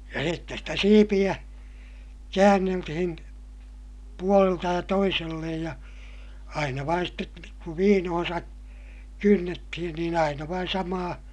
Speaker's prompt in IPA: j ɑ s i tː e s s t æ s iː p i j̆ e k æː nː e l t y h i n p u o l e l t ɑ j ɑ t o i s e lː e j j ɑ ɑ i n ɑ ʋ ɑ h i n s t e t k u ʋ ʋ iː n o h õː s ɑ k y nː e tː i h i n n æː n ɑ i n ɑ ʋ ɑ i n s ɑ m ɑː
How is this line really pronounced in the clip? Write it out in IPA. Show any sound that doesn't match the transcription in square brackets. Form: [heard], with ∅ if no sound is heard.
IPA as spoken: j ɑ s i tː e s s t æ s iː p i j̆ [æ] k æː nː e l t [i] h i n p u o l e l t ɑ j ɑ t o i s e lː e j j ɑ ɑ i n ɑ ʋ ɑ [∅] i n s t e t k u ʋ ʋ iː n o h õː s ɑ k y nː e tː i h i n n [iː] n ɑ i n ɑ ʋ ɑ i n s ɑ m ɑː